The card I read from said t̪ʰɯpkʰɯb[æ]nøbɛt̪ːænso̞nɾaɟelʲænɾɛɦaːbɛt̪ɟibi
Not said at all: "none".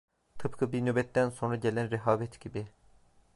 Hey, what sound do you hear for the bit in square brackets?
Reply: i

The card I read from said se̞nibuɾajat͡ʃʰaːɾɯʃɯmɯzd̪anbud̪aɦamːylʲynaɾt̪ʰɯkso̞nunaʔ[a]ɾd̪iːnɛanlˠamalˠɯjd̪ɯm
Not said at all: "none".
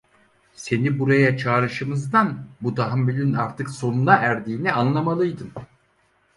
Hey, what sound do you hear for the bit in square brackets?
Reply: æ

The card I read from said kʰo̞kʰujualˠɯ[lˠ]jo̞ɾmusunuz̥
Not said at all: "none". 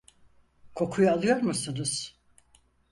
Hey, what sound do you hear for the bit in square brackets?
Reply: none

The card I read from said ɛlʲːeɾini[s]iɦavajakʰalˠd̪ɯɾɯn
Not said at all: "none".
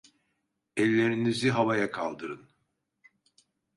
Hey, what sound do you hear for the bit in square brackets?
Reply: z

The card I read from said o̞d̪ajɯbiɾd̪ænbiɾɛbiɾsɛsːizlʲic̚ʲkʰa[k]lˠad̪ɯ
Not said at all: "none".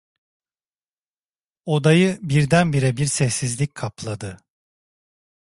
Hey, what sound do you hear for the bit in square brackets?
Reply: p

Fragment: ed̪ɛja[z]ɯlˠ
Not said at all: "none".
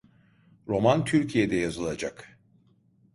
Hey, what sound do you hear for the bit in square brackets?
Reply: z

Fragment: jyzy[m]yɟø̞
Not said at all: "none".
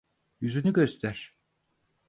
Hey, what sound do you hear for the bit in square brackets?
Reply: n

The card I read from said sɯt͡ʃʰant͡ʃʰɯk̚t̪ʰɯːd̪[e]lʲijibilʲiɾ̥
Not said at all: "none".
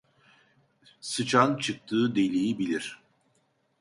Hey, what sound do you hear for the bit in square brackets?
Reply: e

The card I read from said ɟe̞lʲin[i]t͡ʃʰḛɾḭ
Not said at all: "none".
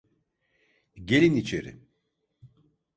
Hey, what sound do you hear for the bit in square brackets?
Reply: i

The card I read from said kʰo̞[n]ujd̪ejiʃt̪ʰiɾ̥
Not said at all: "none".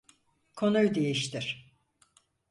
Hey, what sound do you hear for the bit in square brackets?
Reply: n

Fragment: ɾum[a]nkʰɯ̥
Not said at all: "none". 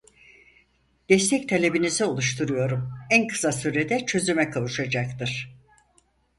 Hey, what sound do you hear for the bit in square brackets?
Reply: æ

